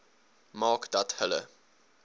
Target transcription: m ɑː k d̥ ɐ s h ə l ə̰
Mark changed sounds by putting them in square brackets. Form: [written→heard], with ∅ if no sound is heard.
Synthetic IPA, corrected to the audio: m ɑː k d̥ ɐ [s→t] h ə l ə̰